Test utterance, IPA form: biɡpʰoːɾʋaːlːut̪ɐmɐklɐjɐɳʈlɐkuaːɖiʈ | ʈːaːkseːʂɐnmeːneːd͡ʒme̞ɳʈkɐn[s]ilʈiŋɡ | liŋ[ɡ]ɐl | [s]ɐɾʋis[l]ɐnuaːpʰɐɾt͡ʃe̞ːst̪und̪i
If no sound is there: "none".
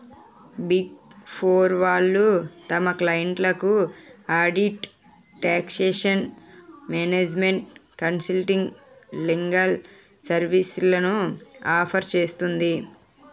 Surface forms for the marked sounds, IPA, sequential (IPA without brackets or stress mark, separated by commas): s, ɡ, s, l